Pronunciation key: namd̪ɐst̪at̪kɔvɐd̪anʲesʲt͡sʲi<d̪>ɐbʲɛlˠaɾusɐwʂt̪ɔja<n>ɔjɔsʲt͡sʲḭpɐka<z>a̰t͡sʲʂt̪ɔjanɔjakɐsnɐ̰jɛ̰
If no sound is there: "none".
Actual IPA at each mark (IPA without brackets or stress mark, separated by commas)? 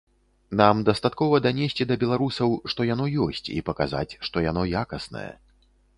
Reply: d̪, n, z